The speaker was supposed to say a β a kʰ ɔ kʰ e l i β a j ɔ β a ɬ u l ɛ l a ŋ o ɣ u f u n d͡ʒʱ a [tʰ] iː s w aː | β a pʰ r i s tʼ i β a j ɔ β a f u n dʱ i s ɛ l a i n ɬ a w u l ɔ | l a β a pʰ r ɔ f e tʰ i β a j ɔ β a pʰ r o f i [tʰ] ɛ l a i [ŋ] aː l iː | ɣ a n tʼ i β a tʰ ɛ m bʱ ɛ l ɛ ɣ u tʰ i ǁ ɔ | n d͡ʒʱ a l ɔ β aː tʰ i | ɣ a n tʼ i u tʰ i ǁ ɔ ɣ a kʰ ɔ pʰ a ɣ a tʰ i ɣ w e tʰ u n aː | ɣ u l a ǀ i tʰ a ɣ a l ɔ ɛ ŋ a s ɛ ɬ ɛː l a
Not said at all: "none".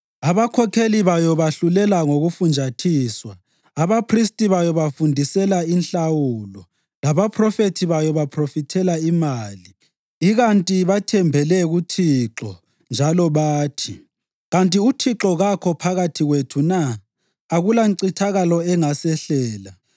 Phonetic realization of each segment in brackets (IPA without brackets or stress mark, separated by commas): tʰ, tʰ, m